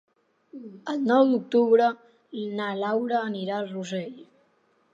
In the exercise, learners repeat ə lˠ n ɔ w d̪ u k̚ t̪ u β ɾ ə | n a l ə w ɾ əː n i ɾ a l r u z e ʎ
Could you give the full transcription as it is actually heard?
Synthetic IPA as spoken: ə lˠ n ɔ w d̪ u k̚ t̪ u β ɾ ə | n a l a w ɾ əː n i ɾ a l r u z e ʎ

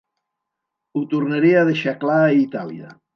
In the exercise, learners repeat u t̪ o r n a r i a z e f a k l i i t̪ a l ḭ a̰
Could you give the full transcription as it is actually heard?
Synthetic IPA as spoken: u t̪ u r n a ɾ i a ð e ʃ a k l a i t̪ a l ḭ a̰

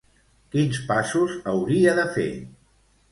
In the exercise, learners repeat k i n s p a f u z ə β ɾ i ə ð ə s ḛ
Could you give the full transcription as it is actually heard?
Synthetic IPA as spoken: k i n s p a s u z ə w ɾ i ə ð ə f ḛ

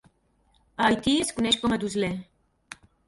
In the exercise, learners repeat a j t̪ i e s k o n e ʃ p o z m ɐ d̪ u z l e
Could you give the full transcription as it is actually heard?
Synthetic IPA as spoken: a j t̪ i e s k u n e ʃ k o m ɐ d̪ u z l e

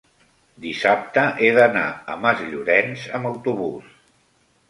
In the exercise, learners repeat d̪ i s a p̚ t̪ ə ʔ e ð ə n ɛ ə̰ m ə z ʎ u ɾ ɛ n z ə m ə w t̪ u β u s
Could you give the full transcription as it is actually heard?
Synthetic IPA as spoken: d̪ i s a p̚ t̪ ə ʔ e ð ə n a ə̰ m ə z ʎ u ɾ ɛ n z ə m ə w t̪ u β u s

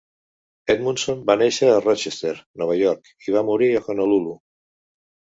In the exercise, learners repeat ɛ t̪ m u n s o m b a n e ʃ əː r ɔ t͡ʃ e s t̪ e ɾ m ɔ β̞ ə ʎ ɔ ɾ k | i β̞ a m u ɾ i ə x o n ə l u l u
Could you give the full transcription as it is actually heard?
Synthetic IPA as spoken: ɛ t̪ m u n s o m b a n e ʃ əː r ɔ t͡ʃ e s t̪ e ɾ n ɔ β̞ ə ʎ ɔ ɾ k | i β̞ a m u ɾ i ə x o n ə l u l u

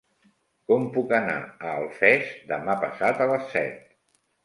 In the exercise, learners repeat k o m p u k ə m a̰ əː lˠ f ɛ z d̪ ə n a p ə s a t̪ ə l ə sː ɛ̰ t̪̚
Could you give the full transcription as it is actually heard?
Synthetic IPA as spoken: k ɔ m p u k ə n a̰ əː lˠ f ɛ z d̪ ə m a p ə s a t̪ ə l ə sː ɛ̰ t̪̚

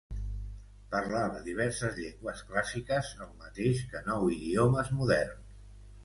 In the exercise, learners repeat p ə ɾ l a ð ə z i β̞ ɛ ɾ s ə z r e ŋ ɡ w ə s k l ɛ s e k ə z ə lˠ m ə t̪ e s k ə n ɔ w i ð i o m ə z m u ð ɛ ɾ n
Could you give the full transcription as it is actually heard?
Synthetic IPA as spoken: p ə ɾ l a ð ə ð i β̞ ɛ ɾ s ə z ʎ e ŋ ɡ w ə s k l a s i k ə z ə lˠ m ə t̪ e ʃ k ə n ɔ w i ð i o m ə z m u ð ɛ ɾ n

